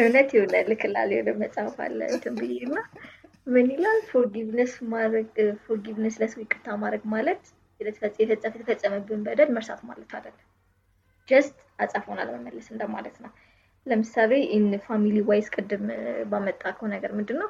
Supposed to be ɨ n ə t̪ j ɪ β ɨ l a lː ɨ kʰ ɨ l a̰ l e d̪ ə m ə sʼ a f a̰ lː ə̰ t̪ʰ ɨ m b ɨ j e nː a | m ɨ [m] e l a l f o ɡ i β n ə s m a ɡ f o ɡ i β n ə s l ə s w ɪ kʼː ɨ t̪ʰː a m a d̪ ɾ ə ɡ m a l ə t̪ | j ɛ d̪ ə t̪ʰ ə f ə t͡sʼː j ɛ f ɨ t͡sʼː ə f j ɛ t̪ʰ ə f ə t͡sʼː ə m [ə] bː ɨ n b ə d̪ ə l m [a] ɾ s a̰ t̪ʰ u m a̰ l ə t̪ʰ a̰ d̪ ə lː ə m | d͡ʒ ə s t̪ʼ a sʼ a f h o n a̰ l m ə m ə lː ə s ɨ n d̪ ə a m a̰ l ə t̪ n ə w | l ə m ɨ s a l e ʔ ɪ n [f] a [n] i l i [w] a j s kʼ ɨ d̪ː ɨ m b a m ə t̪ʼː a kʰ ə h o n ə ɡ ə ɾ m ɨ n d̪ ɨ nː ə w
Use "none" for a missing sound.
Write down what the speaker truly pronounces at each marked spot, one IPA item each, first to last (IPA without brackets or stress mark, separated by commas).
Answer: n, ə, ə, f, m, w